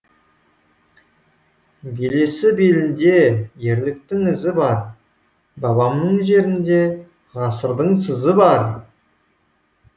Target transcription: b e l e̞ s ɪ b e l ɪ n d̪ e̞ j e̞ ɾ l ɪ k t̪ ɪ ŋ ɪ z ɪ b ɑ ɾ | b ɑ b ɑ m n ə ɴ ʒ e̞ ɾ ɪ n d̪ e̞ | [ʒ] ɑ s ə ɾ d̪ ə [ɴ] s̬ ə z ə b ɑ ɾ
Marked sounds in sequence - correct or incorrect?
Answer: incorrect, correct

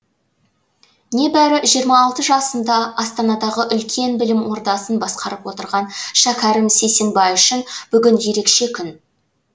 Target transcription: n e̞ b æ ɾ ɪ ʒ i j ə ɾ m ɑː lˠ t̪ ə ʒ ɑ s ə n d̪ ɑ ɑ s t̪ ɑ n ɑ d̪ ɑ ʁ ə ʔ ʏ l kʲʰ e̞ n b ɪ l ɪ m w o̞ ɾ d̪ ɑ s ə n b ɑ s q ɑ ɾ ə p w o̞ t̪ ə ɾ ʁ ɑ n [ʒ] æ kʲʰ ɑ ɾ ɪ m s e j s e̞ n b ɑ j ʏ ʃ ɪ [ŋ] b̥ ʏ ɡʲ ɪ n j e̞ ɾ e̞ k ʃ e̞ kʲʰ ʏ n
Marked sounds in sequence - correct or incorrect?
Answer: incorrect, incorrect

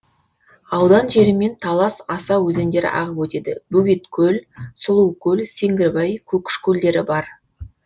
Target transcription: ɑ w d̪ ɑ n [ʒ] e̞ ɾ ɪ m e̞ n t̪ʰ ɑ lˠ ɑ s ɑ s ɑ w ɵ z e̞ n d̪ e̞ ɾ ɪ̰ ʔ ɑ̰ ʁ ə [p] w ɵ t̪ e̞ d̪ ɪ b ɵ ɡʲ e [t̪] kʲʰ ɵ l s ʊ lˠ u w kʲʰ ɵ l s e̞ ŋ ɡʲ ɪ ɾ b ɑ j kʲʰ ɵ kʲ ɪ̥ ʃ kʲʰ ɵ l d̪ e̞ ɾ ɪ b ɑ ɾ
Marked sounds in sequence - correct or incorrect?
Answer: correct, correct, correct

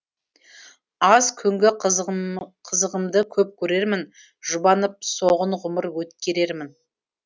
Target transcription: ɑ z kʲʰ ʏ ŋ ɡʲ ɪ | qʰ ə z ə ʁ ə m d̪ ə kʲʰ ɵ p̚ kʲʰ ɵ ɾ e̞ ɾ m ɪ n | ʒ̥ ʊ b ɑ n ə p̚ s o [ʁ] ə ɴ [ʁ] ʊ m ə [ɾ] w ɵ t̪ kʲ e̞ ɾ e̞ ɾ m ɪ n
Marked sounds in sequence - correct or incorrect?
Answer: correct, correct, correct

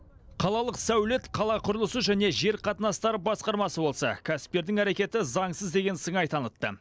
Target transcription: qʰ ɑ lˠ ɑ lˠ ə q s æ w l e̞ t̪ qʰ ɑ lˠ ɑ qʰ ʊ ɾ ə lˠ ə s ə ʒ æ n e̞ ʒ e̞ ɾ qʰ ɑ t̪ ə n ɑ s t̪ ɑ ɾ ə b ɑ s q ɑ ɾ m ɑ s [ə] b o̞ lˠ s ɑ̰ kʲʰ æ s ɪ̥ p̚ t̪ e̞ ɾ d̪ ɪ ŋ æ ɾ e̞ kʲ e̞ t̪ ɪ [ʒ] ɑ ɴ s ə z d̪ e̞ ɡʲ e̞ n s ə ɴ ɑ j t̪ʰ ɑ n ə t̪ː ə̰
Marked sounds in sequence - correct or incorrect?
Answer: correct, incorrect

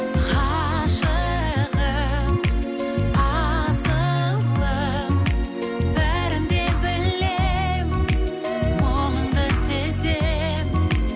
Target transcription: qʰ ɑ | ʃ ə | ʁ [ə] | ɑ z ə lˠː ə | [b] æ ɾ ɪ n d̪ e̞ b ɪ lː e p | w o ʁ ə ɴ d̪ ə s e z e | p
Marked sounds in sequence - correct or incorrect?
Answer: correct, correct

